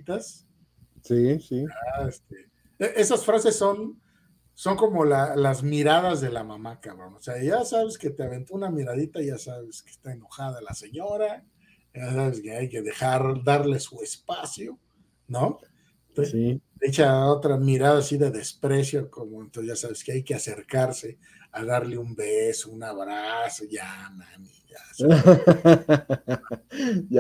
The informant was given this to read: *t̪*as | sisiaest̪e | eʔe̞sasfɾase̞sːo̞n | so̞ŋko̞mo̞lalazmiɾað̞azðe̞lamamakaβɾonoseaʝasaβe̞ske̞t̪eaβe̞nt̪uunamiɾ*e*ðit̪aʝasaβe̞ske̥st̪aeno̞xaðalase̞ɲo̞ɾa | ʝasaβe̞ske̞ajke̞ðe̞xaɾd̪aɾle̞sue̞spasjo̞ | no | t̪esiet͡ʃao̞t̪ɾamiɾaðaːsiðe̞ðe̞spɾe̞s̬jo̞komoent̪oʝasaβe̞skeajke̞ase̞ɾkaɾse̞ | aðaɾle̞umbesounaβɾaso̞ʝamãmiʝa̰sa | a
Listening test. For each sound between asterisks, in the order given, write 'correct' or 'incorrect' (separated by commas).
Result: correct, incorrect